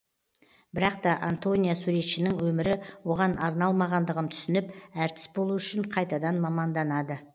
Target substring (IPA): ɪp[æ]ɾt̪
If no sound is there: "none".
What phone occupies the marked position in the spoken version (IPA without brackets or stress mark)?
æ